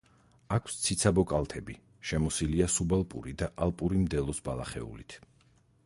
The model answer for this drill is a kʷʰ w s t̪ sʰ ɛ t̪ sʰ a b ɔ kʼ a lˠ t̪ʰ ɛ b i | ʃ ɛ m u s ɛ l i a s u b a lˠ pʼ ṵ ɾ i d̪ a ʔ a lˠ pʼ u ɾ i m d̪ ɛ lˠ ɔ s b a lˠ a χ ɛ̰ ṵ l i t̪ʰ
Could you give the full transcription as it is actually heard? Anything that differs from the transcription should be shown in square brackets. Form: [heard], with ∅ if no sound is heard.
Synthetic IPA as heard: a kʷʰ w s t̪ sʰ [i] t̪ sʰ a b ɔ kʼ a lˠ t̪ʰ ɛ b i | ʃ ɛ m [ɔ] s [i] l i a s u b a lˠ pʼ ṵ ɾ i d̪ a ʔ a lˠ pʼ u ɾ i m d̪ ɛ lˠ ɔ s b a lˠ a χ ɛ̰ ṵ l i t̪ʰ